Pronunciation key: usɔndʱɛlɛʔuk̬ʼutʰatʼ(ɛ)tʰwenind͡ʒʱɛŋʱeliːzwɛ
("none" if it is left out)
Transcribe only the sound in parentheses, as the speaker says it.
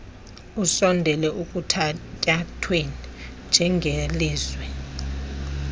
a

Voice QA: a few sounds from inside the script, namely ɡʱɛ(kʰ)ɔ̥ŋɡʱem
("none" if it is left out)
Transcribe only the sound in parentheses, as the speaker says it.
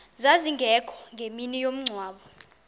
kʰ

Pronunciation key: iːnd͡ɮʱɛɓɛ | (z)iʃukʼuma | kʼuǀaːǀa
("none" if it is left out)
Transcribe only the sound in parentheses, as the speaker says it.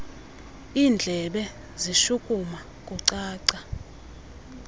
z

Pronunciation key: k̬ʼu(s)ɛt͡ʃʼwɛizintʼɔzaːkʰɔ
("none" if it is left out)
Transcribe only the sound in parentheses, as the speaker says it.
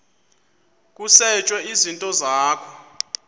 s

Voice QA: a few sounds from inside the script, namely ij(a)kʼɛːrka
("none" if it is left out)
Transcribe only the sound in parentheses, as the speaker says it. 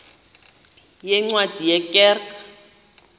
ɛ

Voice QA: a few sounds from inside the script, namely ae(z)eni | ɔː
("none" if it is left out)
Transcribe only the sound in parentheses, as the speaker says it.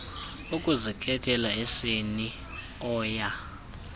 s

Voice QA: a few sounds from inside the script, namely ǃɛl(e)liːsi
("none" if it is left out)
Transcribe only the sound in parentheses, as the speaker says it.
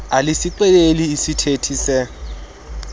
e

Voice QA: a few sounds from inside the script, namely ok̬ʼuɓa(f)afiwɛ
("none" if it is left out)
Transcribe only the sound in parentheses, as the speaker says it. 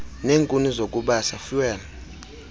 s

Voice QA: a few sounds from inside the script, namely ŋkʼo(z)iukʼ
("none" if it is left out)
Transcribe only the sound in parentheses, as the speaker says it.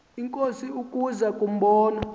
s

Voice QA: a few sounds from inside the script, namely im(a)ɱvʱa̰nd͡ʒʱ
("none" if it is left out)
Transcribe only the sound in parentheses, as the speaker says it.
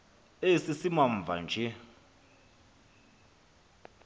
a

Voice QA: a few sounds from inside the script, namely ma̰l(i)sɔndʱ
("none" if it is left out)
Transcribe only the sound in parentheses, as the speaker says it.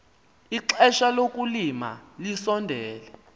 i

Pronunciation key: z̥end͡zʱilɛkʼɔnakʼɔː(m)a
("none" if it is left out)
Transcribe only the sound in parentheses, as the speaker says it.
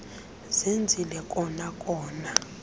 n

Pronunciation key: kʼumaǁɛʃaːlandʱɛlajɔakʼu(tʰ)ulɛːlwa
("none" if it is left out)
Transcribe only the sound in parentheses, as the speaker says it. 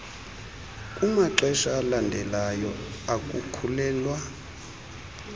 kʰ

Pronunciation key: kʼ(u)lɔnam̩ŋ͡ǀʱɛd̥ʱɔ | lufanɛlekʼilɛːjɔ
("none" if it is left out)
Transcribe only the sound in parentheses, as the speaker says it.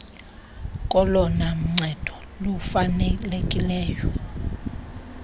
ɔ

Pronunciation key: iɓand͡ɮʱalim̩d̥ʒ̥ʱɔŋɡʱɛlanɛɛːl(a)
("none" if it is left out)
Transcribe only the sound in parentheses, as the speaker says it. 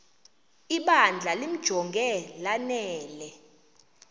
ɛ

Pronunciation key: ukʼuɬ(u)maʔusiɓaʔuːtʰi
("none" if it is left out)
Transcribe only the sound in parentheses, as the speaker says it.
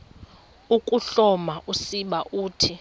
ɔ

